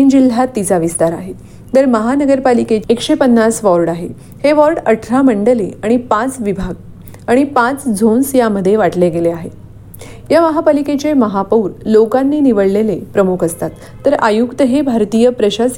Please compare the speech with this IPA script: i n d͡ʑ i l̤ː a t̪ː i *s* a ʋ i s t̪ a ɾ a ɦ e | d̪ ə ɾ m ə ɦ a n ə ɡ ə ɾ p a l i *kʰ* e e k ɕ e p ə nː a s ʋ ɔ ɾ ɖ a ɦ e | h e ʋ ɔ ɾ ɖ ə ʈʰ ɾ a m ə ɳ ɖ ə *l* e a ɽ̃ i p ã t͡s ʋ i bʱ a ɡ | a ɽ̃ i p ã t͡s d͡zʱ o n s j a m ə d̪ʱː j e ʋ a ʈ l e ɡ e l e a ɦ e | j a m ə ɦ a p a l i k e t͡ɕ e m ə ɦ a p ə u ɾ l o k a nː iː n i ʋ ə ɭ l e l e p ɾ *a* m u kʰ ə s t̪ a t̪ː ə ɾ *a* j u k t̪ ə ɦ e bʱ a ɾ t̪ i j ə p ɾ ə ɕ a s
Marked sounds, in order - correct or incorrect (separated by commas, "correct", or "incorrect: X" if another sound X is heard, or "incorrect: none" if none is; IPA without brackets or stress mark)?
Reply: incorrect: t͡s, incorrect: k, correct, incorrect: ə, correct